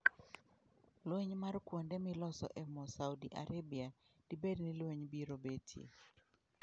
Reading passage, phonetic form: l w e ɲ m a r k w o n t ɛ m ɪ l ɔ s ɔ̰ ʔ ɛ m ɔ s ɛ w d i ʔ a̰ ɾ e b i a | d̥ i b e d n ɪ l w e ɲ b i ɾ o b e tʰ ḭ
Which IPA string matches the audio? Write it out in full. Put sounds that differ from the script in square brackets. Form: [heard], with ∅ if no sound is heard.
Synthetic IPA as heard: l w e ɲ m a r k w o n [d] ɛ m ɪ l ɔ s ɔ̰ ʔ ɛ m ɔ s [a] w d i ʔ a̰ ɾ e b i a | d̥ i b e d n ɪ l w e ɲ b i ɾ o b e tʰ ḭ